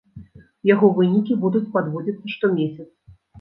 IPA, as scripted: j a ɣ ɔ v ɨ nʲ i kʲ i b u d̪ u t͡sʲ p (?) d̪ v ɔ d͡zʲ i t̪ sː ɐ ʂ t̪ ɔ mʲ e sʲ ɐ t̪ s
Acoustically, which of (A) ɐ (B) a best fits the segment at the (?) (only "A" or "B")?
B